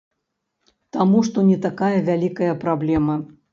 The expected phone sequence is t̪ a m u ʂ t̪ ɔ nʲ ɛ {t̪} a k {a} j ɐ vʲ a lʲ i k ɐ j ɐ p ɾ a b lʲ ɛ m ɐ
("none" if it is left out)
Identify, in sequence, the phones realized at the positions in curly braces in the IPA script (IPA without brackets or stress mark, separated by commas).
t̪, a